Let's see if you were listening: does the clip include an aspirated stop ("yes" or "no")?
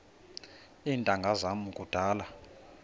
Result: no